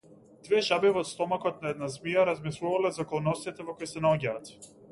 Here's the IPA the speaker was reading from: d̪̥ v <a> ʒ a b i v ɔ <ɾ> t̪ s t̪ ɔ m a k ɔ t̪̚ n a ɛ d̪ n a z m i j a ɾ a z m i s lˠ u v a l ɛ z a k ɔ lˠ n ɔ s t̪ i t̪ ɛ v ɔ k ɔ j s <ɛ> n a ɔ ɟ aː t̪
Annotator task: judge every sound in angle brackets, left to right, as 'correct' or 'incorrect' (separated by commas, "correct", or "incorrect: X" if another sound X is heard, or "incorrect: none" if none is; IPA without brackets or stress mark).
incorrect: ɛ, incorrect: none, correct